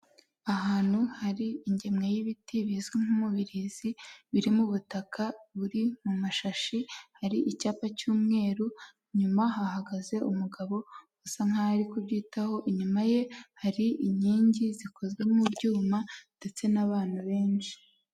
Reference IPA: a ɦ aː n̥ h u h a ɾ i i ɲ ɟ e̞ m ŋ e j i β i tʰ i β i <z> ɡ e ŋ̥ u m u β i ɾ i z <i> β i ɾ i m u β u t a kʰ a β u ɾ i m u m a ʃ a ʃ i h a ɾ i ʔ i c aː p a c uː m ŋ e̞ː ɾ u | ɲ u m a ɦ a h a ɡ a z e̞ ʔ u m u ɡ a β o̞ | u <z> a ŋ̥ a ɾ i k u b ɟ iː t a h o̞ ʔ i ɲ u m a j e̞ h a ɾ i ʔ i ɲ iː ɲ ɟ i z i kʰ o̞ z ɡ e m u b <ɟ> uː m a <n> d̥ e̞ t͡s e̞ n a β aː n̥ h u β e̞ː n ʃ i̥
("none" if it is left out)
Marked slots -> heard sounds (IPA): z, i, s, ɟ, n

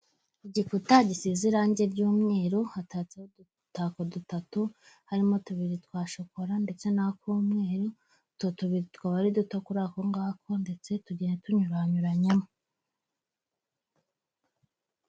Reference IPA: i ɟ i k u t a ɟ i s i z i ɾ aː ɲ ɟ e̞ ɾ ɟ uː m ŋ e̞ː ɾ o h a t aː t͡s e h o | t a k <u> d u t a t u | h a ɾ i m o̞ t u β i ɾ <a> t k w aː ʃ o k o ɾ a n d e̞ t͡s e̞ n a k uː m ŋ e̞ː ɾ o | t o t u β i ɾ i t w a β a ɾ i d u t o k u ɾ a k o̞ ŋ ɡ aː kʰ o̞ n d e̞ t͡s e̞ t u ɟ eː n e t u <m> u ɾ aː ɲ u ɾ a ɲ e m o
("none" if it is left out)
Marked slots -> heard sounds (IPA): o, i, ɲ

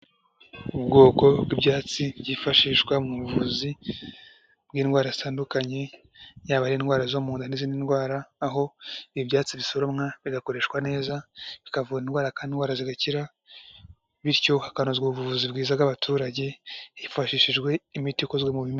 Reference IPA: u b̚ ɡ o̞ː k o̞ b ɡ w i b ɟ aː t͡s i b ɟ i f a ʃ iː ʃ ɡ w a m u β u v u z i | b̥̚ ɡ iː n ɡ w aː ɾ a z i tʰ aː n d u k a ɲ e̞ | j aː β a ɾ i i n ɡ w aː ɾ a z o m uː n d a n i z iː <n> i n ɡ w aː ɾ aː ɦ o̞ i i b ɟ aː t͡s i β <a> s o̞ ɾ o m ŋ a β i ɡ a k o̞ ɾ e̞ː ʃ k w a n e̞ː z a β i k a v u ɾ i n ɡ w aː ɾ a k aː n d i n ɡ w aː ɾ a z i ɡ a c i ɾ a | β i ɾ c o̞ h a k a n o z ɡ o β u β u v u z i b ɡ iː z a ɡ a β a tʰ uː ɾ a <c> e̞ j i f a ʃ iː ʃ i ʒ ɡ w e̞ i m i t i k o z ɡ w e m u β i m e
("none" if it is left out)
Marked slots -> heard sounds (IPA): n, i, ɟ

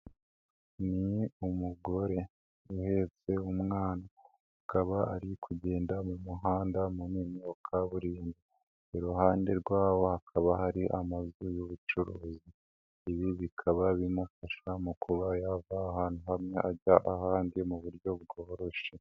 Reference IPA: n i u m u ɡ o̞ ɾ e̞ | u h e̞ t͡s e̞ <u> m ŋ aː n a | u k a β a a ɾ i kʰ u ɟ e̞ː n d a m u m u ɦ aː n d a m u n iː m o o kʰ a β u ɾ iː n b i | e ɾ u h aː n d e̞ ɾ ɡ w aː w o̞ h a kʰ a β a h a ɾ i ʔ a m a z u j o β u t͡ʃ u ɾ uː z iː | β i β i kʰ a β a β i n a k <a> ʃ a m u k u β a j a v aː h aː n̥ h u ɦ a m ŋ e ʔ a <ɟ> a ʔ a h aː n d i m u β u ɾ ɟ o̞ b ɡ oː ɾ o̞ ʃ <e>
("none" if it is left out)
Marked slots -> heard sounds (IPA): u, a, ɟ, e

